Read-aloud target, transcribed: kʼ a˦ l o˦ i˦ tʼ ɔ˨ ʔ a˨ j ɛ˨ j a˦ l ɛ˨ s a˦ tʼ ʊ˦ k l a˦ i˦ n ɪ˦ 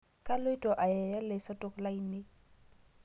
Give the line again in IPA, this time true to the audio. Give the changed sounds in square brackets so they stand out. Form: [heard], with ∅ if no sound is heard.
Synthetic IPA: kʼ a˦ l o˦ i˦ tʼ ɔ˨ ʔ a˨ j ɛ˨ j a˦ l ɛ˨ s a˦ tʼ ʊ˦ k l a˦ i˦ n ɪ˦